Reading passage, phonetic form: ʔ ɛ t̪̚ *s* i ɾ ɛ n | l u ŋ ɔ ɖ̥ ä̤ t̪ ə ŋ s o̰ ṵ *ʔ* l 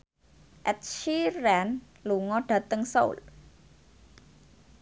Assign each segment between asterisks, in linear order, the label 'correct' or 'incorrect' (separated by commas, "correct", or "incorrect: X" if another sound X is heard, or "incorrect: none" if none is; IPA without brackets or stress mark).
incorrect: ʃ, incorrect: none